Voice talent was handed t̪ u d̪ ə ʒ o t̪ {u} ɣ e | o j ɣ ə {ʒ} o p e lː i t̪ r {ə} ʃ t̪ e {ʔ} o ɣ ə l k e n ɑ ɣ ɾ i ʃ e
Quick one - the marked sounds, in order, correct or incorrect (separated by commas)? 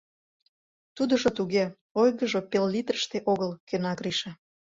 correct, correct, correct, correct